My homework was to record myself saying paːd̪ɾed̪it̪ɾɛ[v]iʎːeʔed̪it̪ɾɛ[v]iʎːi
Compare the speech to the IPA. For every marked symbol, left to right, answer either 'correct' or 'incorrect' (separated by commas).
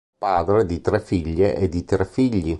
incorrect, incorrect